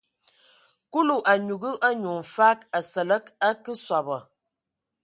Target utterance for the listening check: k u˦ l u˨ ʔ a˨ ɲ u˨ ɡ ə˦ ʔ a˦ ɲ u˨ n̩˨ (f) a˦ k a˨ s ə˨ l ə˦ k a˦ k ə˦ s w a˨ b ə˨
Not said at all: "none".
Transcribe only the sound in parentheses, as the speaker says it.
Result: f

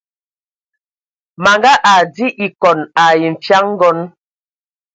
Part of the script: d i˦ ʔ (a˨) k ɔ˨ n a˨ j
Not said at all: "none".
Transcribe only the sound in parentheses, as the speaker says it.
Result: i˨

